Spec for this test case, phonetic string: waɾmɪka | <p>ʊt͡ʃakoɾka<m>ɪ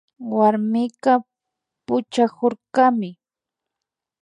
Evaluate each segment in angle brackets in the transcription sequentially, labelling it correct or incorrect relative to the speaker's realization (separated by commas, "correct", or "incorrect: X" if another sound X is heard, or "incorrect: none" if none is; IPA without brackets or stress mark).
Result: correct, correct